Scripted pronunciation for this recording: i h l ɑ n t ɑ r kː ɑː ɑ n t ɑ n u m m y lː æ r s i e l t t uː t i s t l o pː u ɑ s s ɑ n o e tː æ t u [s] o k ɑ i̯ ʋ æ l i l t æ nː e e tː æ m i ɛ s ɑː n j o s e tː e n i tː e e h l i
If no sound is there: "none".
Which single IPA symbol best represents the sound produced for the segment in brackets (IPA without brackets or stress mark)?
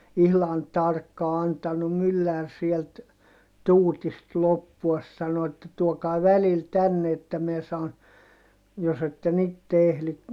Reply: none